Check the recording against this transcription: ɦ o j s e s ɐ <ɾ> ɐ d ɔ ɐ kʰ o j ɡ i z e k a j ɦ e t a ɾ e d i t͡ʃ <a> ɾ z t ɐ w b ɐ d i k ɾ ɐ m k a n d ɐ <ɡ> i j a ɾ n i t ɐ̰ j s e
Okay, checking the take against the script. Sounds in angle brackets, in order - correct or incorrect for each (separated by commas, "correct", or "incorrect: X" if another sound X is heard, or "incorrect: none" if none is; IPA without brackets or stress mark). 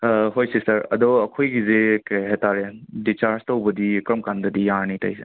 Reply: correct, correct, incorrect: d